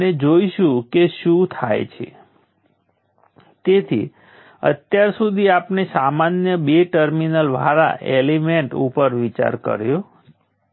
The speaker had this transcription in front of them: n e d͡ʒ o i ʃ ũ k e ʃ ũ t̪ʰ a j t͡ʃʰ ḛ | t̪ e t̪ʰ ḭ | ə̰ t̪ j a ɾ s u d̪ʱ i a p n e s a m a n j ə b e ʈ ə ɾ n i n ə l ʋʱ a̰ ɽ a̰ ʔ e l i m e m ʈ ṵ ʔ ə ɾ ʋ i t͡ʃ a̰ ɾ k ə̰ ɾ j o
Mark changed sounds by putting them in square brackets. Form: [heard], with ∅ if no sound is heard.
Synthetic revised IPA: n e d͡ʒ o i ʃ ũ k e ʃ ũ t̪ʰ a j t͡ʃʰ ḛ | t̪ e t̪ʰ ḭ | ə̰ t̪ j a ɾ s u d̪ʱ i a p n e s a m a n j ə b e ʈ ə ɾ [m] i n ə l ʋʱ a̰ [ɾ] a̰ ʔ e l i m e [ɳ] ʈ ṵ [p] ə ɾ ʋ i t͡ʃ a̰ ɾ k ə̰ ɾ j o

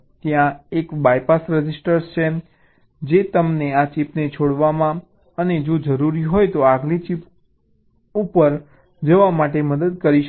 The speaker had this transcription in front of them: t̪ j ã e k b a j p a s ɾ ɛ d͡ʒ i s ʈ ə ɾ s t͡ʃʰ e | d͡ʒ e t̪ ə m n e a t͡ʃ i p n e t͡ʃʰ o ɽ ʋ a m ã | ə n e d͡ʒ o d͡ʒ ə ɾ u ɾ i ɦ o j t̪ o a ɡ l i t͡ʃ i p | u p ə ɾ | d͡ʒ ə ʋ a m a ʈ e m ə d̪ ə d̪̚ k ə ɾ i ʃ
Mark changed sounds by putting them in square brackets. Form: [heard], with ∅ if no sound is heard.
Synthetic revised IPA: t̪ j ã e k b a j p a s ɾ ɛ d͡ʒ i s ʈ ə ɾ s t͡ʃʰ e | d͡ʒ e t̪ ə m n e a t͡ʃ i p n e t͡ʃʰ o ɽ ʋ a m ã | ə n e d͡ʒ o d͡ʒ ə ɾ u ɾ i ɦ o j t̪ o a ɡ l i t͡ʃ i p | u p ə ɾ | d͡ʒ ə ʋ a m a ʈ e m ə d̪ ə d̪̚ k ə ɾ i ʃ

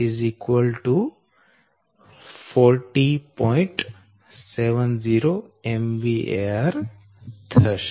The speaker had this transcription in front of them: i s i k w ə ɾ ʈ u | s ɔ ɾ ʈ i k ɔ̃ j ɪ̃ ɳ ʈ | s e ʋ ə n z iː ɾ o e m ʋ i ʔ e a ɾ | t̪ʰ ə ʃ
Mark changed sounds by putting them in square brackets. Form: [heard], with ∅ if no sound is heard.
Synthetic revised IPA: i [z] i k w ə [l] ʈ u | [f] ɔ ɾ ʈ i [p] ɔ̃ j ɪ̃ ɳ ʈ | s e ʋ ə n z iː ɾ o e m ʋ i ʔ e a ɾ | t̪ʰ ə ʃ

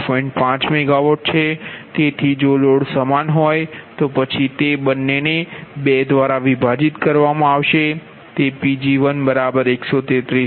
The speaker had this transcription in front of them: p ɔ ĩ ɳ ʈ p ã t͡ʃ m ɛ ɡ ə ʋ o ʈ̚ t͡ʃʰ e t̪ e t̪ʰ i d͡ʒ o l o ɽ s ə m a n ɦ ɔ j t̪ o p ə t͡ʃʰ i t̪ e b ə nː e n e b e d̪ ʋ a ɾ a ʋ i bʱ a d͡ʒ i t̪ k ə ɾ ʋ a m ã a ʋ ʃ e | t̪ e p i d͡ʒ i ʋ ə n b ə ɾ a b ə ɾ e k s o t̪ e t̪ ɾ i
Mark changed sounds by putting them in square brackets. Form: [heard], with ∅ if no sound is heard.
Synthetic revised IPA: p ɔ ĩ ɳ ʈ p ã t͡ʃ m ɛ ɡ [a] ʋ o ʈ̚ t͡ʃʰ e t̪ e t̪ʰ i d͡ʒ o l o ɽ s ə m a n ɦ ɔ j t̪ o p ə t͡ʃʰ i t̪ e b ə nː e n e b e d̪ ʋ a ɾ a ʋ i bʱ a d͡ʒ i t̪ k ə ɾ ʋ a m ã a ʋ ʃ e | t̪ e p i d͡ʒ i ʋ ə n b ə ɾ a b ə ɾ e k s o t̪ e t̪ ɾ i

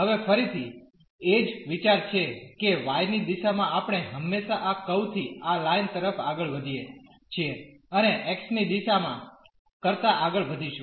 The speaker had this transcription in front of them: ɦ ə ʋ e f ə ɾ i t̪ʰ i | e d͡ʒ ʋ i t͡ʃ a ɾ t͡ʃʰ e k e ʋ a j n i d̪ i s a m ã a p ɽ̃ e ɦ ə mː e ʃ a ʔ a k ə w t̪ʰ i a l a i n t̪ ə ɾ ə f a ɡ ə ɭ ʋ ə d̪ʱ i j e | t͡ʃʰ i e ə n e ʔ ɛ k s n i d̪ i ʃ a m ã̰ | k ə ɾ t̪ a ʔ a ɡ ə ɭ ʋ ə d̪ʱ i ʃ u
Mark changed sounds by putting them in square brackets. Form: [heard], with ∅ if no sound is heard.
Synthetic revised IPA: ɦ ə ʋ e f ə ɾ i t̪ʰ i | e d͡ʒ ʋ i t͡ʃ a ɾ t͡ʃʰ e k e ʋ a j n i d̪ i [ʃ] a m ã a p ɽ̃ e ɦ ə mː e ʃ a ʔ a k ə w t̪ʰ i a l a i n t̪ ə ɾ ə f a ɡ ə ɭ ʋ ə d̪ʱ i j e | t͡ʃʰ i e ə n e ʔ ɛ k s n i d̪ i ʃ a m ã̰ | k ə ɾ t̪ a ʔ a ɡ ə ɭ ʋ ə d̪ʱ i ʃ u

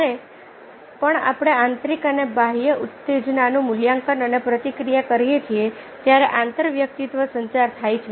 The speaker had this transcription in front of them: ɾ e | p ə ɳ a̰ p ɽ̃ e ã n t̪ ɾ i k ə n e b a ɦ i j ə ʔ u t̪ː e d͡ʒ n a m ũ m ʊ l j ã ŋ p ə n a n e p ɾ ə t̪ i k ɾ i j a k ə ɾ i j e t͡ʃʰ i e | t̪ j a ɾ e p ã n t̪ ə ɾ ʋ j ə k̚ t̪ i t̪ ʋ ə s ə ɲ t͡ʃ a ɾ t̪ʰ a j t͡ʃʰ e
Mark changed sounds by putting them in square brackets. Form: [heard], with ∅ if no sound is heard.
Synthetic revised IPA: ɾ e | p ə ɳ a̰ p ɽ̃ e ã n t̪ ɾ i k ə n e b a ɦ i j ə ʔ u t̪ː e d͡ʒ n a [n] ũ m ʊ l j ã ŋ [k] ə n [ə] n e p ɾ ə t̪ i k ɾ i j a k ə ɾ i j e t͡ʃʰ i e | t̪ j a ɾ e [ʔ] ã n t̪ ə ɾ ʋ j ə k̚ t̪ i t̪ ʋ ə s ə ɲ t͡ʃ a ɾ t̪ʰ a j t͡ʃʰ e

